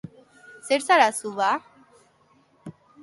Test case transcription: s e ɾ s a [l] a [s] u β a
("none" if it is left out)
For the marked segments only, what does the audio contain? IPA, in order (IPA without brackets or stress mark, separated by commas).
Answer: ɾ, s